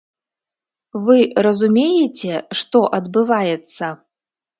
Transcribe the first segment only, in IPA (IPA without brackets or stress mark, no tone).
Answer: v